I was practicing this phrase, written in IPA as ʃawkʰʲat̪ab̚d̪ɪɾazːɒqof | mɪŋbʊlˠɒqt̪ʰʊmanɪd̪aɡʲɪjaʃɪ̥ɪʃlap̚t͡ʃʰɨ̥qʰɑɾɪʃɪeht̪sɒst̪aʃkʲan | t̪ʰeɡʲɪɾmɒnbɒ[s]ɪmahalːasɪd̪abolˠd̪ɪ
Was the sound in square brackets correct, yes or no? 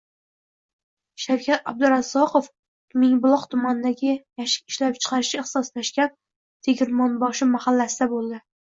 no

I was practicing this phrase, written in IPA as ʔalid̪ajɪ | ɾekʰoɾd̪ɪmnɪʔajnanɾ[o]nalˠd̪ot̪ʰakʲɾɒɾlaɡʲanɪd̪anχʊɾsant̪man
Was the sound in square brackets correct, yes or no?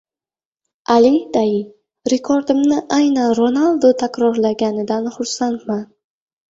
yes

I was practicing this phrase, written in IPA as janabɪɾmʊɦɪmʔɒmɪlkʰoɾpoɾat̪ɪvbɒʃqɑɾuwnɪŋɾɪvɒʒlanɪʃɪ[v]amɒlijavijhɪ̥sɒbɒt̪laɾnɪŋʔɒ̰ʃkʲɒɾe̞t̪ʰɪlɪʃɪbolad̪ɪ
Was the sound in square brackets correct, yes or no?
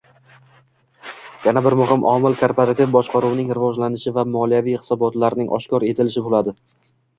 yes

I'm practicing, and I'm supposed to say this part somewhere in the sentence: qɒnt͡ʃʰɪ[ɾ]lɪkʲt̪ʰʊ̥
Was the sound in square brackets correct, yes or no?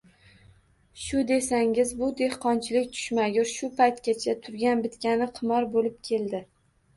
no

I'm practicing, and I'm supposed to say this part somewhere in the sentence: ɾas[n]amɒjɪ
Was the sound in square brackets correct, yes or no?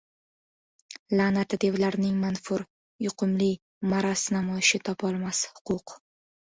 yes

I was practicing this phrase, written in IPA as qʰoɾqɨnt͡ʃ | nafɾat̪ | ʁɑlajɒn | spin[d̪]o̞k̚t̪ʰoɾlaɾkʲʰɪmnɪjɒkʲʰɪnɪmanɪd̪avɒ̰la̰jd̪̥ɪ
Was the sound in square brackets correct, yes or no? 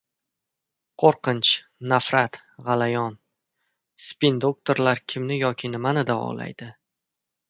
yes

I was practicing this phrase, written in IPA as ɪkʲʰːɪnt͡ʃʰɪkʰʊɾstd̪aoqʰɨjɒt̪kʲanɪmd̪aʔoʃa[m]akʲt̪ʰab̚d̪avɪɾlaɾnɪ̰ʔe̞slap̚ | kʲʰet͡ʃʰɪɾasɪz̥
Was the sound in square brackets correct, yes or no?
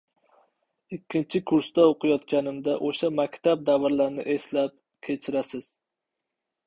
yes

